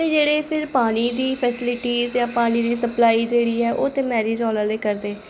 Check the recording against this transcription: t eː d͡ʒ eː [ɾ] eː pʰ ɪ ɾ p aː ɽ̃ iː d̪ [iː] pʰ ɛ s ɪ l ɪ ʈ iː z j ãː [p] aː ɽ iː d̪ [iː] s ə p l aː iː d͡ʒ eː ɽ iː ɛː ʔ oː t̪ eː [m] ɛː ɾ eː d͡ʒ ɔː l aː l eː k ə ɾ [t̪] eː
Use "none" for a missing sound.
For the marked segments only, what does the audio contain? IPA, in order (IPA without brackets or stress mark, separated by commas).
ɽ, iː, p, iː, m, d̪